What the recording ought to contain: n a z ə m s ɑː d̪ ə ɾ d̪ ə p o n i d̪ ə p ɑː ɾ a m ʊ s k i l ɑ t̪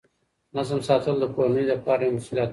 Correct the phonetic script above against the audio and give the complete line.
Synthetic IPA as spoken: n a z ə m s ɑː t̪ ə l d̪ ə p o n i d̪ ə p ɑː ɾ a m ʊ s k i l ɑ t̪